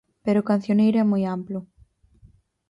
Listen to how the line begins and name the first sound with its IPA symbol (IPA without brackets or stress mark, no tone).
p